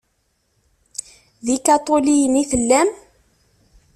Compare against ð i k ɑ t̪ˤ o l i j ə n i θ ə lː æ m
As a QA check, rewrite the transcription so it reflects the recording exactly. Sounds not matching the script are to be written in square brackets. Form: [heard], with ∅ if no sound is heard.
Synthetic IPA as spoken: ð i k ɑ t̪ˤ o l i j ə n i θ ə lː æ m